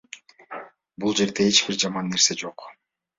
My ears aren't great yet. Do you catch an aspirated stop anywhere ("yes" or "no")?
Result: no